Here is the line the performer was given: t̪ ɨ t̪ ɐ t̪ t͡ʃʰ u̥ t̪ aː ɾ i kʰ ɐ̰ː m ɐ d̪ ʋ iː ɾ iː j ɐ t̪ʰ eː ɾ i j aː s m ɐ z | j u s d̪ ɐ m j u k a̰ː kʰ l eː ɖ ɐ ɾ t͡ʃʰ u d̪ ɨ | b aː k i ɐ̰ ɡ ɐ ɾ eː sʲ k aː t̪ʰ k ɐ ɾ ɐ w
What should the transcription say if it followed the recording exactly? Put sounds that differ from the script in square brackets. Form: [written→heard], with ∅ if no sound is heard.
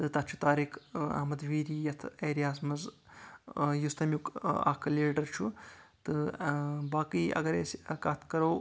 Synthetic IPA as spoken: t̪ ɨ t̪ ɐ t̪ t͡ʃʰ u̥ t̪ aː ɾ i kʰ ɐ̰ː m ɐ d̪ ʋ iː ɾ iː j ɐ t̪ʰ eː ɾ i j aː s m ɐ z | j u s [d̪→t̪] ɐ m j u k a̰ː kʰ l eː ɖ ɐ ɾ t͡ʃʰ u [d̪→t̪] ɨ | b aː k i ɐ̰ ɡ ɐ ɾ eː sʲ k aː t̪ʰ k ɐ ɾ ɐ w

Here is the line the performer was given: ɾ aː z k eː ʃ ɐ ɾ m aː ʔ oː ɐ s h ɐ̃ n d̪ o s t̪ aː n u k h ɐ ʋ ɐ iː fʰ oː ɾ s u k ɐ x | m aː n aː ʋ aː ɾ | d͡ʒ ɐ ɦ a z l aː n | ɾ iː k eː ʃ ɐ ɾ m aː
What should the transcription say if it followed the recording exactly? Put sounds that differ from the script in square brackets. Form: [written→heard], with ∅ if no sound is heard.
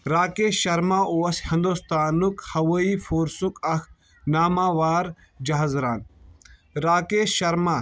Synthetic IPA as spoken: ɾ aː [z→∅] k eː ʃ ɐ ɾ m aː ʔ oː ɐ s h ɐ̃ n d̪ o s t̪ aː n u k h ɐ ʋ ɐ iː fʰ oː ɾ s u k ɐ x | [m→n] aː [n→m] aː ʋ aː ɾ | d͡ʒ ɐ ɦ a z [l→ɾ] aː n | ɾ [iː→aː] k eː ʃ ɐ ɾ m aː

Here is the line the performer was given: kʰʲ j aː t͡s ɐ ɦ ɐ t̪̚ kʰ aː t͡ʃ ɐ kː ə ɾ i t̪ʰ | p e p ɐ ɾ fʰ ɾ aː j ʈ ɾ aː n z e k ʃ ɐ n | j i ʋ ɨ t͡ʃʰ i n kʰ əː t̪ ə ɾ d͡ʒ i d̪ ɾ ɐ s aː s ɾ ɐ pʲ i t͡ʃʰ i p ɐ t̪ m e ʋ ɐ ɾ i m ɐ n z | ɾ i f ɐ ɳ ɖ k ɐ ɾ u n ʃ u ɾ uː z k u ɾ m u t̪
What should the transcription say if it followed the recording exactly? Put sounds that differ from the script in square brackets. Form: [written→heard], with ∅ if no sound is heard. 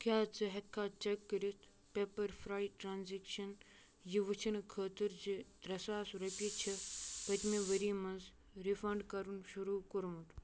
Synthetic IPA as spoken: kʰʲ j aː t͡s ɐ ɦ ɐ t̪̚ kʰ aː t͡ʃ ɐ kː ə ɾ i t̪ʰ | p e p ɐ ɾ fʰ ɾ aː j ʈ ɾ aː n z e k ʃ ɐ n | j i ʋ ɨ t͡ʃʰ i n kʰ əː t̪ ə ɾ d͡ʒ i d̪ ɾ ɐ s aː s ɾ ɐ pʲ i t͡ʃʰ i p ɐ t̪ m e ʋ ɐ ɾ i m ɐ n z | ɾ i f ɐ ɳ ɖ k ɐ ɾ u n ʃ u ɾ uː [z→∅] k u ɾ m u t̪

